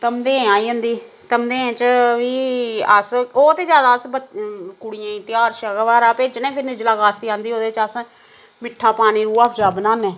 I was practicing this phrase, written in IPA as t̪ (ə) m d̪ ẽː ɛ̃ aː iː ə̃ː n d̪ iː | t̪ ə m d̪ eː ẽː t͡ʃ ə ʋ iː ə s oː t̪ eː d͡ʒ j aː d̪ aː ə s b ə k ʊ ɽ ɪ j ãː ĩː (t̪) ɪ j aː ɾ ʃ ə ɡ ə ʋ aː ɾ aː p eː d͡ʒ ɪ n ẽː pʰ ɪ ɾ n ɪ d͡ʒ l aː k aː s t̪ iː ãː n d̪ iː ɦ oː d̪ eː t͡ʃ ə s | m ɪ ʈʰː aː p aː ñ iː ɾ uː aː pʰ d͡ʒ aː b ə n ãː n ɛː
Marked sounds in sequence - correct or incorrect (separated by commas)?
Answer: correct, correct